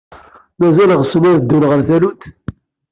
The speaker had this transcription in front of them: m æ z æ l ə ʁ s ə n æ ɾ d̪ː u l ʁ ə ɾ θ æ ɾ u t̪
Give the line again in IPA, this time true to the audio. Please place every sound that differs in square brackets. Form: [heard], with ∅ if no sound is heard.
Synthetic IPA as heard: m æ z æ l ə ʁ s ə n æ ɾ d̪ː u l ʁ ə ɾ θ æ [l] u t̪